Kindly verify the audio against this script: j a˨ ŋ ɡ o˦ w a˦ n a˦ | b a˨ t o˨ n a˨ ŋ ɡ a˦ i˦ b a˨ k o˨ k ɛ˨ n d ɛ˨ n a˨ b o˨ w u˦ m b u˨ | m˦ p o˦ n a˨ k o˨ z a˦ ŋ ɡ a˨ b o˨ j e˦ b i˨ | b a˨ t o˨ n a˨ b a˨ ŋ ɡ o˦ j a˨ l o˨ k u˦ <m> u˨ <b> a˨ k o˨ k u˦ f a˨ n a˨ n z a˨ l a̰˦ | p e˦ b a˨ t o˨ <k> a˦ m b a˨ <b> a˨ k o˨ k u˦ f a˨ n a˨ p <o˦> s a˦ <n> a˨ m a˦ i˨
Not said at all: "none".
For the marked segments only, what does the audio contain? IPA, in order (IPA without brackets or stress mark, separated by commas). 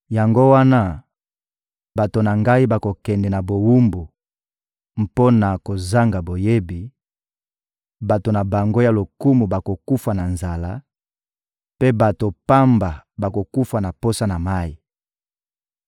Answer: m, b, p, b, o˦, n